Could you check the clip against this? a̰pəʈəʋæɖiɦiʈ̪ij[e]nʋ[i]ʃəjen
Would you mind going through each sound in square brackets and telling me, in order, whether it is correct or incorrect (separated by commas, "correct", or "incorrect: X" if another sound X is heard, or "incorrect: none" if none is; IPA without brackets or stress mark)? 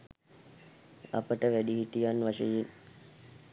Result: incorrect: a, incorrect: a